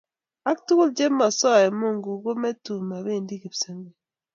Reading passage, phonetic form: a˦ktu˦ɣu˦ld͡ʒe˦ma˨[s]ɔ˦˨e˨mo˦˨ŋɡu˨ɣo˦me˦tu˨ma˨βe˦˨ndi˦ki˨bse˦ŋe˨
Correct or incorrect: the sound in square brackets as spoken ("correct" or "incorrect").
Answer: correct